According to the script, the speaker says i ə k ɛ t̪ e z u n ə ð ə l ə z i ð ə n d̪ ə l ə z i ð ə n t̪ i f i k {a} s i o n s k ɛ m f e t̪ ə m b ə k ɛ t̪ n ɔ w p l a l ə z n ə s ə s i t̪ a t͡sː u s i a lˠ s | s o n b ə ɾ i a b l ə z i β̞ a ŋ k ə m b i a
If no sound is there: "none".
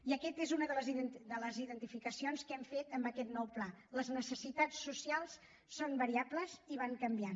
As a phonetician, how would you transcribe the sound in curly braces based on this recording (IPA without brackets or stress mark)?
ə